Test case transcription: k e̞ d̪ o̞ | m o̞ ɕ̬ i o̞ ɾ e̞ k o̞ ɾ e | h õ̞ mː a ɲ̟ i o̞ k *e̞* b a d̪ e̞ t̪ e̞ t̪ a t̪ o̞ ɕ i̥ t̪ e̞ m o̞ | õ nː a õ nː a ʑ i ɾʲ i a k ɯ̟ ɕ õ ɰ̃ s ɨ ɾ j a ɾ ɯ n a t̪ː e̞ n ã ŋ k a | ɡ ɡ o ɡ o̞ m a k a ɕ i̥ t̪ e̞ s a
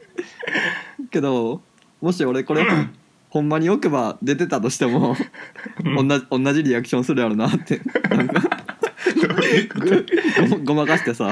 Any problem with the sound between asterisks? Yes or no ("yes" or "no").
no